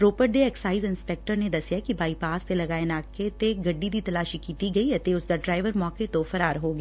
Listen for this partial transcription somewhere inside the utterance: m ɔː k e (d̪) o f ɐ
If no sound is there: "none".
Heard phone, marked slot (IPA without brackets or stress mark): t̪